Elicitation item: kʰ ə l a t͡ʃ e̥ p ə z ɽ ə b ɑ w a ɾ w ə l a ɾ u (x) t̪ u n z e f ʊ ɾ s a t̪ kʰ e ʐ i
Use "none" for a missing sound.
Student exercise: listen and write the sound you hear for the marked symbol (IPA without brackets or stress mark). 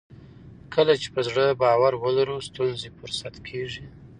s